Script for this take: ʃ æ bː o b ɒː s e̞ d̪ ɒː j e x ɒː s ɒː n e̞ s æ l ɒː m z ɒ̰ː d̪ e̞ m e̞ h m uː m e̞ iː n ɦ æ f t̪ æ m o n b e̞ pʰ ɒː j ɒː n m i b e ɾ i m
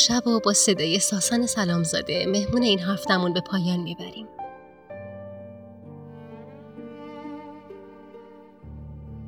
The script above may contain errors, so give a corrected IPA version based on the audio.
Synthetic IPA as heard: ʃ æ b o b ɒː s e̞ d̪ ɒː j e s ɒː s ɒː n e̞ s æ l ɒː m z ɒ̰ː d̪ e̞ m e̞ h m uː n e̞ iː n ɦ æ f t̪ æ m u n b e̞ pʰ ɒː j ɒː n m i b æ ɾ i m